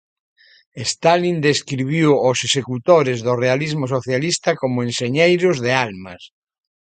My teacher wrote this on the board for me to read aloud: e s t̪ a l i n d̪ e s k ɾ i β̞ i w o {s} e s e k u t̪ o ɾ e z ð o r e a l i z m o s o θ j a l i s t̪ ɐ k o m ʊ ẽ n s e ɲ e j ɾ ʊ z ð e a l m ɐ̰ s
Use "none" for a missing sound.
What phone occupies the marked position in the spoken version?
s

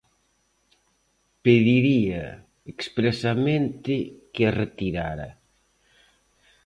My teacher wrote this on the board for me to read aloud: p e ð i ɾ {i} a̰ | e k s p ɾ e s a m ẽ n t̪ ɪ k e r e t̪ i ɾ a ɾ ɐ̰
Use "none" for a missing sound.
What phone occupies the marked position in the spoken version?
i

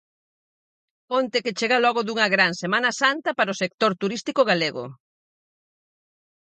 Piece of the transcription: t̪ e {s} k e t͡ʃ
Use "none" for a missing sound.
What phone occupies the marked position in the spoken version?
none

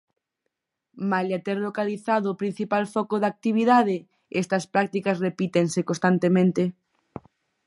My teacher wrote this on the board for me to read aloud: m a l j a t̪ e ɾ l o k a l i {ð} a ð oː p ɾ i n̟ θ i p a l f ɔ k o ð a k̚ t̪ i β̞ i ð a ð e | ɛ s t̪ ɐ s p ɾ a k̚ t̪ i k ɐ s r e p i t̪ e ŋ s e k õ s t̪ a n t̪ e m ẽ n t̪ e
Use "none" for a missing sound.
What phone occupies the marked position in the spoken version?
θ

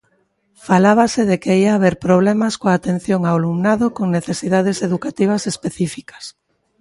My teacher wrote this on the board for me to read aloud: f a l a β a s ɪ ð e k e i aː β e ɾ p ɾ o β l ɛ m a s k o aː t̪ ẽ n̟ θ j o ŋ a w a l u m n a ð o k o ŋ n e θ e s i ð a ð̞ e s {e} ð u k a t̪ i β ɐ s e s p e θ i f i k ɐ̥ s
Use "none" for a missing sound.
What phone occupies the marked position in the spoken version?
e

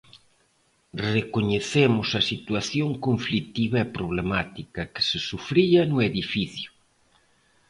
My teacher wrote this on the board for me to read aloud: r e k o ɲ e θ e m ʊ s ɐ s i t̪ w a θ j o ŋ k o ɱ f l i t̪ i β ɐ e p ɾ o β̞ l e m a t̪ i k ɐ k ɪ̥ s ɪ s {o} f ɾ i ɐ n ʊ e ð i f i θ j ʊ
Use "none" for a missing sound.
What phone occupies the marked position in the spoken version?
u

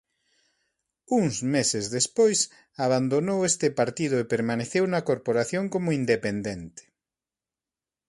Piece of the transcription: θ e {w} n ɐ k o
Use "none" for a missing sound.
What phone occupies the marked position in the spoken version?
w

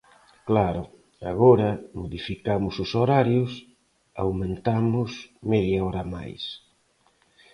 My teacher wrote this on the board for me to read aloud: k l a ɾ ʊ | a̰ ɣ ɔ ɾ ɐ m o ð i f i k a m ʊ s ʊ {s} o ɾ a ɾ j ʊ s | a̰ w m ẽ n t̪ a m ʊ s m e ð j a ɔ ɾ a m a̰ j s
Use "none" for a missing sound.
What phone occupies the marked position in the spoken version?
s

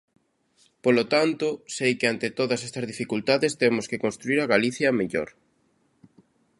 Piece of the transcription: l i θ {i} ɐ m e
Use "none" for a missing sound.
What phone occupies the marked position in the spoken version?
j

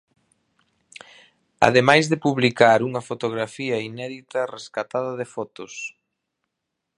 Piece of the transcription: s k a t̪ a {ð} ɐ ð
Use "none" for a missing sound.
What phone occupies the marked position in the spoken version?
ð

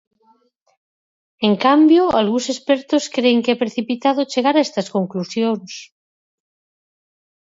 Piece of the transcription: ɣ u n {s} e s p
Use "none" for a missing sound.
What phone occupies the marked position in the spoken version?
s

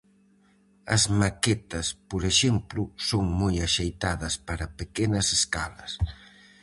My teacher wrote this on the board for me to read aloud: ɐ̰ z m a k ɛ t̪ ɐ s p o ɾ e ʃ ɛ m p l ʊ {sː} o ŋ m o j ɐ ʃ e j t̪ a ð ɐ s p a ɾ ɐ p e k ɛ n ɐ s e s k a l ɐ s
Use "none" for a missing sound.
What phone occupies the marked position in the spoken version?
s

